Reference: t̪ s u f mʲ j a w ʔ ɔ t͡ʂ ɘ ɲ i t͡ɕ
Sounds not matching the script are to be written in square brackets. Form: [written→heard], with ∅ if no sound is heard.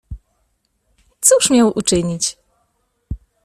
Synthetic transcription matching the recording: t̪ s u [f→ʂ] mʲ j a w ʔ [ɔ→u] t͡ʂ ɘ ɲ i t͡ɕ